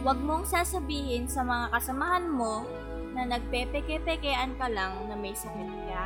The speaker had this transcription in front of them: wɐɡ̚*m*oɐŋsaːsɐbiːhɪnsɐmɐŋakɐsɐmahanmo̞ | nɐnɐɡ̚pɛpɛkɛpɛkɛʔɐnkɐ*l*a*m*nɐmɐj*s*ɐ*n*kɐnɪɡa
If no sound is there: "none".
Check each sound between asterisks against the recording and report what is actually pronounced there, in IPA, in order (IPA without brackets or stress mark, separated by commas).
m, l, ŋ, s, none